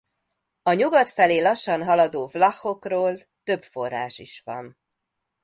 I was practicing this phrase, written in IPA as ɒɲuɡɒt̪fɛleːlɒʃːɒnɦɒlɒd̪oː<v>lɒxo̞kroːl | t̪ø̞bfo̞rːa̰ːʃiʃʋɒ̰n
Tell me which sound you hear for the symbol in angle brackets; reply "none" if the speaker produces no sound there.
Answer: v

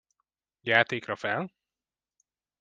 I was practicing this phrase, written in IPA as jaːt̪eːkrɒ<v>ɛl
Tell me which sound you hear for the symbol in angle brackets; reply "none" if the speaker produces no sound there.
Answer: f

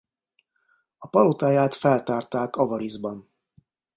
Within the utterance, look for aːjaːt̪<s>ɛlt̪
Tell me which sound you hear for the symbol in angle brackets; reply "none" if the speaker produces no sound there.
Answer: f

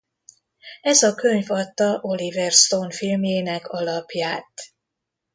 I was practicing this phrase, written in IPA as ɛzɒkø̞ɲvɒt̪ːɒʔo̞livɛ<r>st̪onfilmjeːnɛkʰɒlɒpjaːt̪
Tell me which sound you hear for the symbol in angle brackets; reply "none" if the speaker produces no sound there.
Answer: r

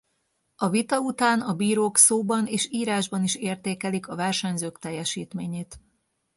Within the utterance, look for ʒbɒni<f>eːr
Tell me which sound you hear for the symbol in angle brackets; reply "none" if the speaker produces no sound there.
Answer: ʃ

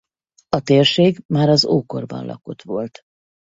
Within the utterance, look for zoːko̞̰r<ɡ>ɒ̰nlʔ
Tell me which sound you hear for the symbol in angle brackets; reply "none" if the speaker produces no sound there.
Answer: b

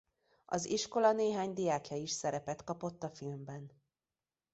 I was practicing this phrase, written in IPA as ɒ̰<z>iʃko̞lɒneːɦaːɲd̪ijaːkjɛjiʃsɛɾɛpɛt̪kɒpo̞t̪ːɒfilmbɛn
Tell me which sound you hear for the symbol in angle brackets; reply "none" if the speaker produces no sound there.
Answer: z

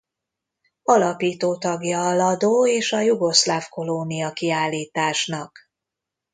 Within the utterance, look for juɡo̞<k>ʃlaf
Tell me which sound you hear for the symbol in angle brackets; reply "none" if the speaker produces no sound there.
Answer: none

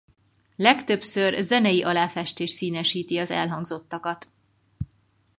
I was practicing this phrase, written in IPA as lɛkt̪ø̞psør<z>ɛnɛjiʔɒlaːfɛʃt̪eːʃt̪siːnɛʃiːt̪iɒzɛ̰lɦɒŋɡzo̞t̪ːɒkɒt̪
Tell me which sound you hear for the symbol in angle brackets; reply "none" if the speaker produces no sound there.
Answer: z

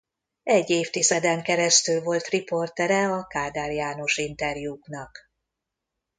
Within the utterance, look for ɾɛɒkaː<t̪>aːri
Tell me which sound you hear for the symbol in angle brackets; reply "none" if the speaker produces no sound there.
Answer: d̪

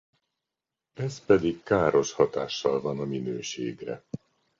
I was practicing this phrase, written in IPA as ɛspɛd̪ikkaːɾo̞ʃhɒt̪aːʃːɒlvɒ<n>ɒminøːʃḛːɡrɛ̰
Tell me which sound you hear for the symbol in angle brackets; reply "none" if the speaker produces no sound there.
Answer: n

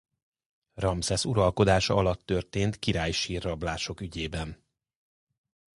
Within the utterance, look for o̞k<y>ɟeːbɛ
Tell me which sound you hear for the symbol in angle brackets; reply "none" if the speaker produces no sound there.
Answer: y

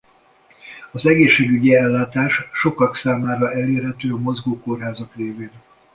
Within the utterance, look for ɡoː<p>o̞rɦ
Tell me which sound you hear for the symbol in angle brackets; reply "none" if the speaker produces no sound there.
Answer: k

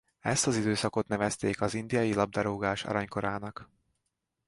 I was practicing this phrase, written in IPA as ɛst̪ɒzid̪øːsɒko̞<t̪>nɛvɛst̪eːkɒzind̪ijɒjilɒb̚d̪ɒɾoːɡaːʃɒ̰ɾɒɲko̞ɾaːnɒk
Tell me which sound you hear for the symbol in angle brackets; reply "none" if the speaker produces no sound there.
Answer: t̪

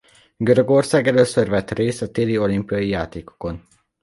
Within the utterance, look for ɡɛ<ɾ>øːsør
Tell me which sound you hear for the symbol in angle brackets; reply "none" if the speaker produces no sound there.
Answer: l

